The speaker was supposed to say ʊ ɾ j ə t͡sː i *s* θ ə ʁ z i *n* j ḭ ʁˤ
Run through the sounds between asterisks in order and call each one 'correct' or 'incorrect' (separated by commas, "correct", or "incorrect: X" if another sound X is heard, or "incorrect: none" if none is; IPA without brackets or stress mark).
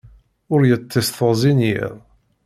correct, correct